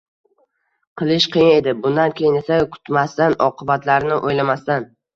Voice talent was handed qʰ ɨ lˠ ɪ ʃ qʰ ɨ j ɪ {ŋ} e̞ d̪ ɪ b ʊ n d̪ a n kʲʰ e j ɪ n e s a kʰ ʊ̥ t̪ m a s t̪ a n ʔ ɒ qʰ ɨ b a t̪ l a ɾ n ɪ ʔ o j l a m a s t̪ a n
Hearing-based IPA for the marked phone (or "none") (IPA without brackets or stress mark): n